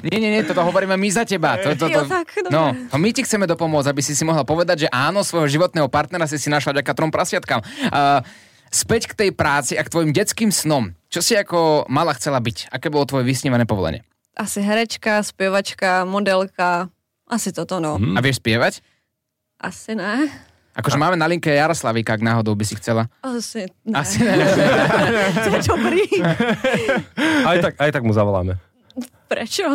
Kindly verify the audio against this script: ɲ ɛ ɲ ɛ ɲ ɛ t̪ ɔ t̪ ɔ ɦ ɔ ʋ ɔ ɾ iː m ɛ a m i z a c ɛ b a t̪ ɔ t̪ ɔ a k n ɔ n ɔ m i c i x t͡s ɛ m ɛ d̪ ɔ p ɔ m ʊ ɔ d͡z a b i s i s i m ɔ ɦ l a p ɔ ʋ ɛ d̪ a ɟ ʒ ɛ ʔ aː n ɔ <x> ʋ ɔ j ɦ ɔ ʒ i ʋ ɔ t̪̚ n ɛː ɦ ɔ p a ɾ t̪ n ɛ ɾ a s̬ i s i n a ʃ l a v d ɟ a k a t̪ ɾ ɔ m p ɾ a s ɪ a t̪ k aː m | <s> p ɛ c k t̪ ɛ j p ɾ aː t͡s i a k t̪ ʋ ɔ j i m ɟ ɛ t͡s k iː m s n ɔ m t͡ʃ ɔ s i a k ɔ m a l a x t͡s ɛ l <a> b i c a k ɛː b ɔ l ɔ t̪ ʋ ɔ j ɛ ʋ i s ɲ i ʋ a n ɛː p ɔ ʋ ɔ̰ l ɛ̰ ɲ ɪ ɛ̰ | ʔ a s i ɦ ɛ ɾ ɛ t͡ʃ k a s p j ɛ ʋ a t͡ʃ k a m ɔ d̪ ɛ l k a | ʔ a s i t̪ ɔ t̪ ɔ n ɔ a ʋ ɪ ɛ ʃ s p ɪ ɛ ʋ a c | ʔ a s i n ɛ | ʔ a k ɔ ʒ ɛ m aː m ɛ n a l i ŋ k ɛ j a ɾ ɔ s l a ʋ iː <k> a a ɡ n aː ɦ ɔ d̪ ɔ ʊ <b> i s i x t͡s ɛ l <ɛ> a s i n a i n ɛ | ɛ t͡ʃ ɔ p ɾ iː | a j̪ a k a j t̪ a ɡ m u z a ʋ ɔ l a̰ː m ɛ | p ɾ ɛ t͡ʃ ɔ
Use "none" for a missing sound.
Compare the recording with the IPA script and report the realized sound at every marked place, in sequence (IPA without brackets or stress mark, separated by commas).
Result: s, s, a, k, b, a